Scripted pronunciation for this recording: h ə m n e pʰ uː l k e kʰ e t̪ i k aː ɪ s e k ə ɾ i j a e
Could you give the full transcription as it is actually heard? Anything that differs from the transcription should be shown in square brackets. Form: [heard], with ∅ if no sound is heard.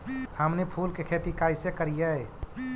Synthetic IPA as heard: h ə m n e pʰ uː l k e kʰ e t̪ i k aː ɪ s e k ə ɾ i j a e